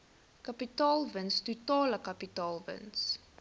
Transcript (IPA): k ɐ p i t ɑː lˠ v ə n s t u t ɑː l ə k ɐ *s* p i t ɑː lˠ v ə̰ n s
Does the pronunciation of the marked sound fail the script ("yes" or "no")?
yes